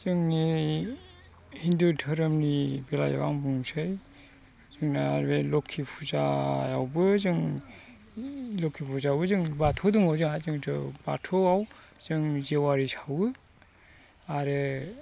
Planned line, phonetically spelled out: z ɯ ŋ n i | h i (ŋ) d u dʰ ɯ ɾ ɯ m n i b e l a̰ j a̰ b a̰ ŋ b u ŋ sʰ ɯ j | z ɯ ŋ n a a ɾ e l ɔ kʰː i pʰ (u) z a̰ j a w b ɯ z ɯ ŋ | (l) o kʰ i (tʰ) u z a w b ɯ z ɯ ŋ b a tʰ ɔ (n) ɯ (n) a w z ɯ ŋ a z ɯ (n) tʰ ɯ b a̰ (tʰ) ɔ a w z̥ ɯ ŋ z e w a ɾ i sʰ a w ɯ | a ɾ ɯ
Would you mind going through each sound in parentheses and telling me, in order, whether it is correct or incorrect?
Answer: incorrect: n, correct, correct, incorrect: pʰ, incorrect: d, incorrect: ŋ, incorrect: ŋ, correct

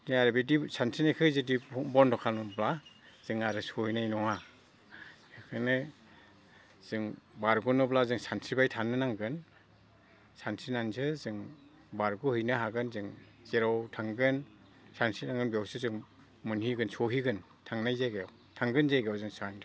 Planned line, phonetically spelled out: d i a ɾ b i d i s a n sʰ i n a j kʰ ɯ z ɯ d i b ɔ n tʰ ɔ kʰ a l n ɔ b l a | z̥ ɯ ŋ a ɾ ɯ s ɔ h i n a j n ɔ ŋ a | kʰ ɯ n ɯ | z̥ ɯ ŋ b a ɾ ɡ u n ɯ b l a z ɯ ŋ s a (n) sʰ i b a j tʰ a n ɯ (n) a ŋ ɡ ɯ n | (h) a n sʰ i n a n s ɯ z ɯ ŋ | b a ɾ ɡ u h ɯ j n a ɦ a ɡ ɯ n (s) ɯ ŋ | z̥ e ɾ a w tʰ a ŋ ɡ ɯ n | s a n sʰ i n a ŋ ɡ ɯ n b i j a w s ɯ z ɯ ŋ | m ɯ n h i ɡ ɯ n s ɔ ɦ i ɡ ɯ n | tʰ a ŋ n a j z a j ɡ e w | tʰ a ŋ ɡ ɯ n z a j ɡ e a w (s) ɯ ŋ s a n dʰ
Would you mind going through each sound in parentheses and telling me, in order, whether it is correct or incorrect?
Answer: correct, correct, incorrect: s, incorrect: z, incorrect: z

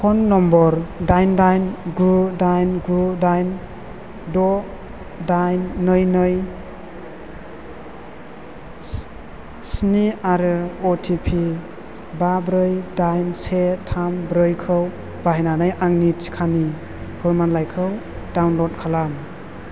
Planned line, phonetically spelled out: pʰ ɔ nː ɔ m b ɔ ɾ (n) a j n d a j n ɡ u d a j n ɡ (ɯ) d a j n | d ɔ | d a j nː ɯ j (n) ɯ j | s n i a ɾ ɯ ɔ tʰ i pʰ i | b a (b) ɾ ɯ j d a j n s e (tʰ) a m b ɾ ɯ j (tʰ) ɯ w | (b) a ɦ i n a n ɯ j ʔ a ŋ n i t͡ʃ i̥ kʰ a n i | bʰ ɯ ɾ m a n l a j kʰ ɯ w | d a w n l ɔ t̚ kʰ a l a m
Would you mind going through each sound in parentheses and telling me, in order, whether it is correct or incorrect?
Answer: incorrect: d, incorrect: u, correct, correct, correct, incorrect: kʰ, correct

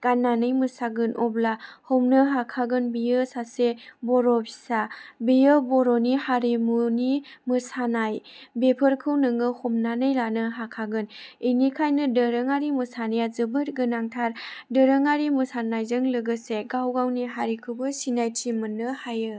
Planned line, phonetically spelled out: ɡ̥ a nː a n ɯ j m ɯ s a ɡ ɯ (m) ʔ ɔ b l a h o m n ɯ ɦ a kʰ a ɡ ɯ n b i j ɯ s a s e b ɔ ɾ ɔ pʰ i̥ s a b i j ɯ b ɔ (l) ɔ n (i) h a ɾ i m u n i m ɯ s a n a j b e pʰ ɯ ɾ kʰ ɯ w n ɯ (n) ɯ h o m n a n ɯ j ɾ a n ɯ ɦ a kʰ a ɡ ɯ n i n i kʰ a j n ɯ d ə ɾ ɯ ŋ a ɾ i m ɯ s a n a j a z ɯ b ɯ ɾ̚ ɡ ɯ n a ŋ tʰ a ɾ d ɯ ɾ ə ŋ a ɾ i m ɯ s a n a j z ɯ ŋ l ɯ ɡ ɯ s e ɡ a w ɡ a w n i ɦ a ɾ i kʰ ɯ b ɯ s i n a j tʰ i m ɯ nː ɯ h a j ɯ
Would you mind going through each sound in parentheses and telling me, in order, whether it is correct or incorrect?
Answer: incorrect: n, incorrect: ɾ, correct, incorrect: ŋ

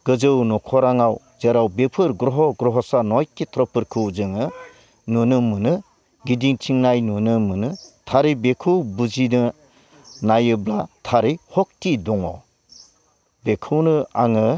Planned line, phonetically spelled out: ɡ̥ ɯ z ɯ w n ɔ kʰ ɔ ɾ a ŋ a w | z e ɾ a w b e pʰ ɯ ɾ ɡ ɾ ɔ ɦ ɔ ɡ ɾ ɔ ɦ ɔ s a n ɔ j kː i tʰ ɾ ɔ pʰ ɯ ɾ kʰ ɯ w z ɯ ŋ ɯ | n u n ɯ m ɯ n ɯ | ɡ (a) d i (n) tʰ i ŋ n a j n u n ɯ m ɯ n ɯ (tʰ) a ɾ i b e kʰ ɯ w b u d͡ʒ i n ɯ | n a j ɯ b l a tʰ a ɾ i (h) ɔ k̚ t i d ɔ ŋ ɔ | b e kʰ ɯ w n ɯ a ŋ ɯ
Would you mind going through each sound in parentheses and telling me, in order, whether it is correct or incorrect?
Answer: incorrect: i, incorrect: ŋ, correct, correct

